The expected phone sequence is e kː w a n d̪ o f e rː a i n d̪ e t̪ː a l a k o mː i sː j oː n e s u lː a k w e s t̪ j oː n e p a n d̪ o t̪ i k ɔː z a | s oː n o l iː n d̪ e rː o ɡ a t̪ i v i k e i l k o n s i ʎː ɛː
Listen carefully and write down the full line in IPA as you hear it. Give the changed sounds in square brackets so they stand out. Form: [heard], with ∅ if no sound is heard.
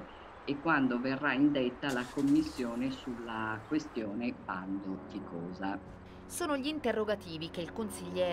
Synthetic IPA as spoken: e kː w a n d̪ o [v] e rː a i n d̪ e t̪ː a l a k o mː i sː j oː n e s u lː a k w e s t̪ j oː n e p a n d̪ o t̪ i k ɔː z a | s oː n o [ʎ] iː n [t̪] e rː o ɡ a t̪ [iː] v i k e i l k o n s i ʎː ɛː